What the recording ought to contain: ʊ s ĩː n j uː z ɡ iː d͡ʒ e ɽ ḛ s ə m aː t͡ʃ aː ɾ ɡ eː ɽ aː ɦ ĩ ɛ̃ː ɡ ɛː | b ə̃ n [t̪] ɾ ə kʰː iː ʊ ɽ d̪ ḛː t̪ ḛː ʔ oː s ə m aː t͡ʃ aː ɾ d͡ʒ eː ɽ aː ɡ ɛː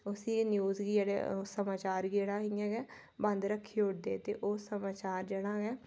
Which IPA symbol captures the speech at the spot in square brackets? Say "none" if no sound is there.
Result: d̪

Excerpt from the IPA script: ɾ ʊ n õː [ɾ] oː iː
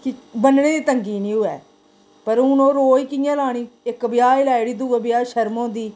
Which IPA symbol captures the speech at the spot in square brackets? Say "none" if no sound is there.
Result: ɾ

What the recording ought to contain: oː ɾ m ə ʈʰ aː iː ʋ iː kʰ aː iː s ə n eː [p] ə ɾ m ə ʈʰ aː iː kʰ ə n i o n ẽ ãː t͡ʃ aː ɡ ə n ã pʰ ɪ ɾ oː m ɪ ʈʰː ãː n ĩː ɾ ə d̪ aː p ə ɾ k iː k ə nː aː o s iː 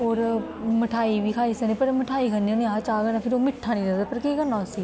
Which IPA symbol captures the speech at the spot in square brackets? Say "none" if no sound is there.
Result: p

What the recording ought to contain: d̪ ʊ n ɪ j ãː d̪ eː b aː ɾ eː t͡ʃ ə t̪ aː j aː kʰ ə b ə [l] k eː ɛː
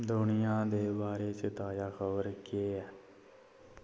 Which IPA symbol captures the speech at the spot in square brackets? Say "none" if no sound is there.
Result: ɾ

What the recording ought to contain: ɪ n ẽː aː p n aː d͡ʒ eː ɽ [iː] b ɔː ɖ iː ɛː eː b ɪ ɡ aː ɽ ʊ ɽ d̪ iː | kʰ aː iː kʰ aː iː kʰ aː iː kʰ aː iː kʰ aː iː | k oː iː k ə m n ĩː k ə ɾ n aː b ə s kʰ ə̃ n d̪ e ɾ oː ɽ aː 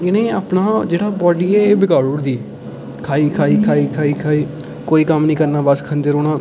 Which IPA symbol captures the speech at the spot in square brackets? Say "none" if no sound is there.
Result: aː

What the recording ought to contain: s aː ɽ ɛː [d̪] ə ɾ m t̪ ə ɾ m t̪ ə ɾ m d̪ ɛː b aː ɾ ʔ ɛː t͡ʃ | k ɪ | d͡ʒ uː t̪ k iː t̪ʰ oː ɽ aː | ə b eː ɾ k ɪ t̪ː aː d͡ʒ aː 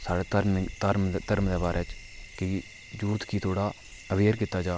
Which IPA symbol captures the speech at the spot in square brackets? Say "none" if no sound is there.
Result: t̪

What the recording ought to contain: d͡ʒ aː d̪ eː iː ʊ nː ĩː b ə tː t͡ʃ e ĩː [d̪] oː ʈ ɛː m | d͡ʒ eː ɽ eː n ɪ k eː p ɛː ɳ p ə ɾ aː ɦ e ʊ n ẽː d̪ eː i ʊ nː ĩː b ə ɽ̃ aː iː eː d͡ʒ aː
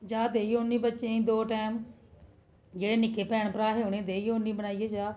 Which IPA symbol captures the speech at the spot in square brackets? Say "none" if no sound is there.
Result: d̪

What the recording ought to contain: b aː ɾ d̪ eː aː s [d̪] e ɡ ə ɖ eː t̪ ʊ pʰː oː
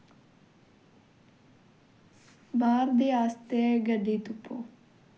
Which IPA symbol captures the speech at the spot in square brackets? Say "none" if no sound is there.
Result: t̪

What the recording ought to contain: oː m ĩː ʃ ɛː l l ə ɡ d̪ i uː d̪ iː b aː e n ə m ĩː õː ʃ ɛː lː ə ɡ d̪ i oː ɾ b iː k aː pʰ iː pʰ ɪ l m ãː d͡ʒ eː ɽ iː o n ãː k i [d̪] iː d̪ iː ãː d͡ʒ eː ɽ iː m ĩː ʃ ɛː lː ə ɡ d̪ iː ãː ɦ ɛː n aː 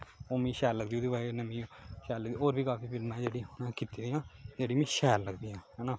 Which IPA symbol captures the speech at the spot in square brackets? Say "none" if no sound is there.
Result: t̪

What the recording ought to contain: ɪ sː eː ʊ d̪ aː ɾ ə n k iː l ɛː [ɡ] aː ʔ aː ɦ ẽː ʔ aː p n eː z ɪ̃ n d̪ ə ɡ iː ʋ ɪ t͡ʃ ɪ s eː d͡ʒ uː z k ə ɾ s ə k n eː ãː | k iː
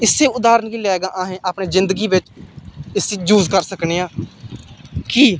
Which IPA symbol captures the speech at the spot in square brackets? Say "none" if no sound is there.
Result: ɡ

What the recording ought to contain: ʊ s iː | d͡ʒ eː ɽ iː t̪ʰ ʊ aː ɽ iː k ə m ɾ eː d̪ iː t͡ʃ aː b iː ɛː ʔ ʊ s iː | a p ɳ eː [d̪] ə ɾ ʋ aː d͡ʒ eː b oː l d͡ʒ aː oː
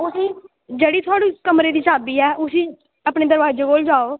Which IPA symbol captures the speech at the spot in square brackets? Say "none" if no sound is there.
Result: d̪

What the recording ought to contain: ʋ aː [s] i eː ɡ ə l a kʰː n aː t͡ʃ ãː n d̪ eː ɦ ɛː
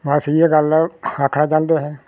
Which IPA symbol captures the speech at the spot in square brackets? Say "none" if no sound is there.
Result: s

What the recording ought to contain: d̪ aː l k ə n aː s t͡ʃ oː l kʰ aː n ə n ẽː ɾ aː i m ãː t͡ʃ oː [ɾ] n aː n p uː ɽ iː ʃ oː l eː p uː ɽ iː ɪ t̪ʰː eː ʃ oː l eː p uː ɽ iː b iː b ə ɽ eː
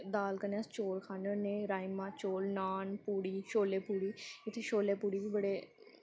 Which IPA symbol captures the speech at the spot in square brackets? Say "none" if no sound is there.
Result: l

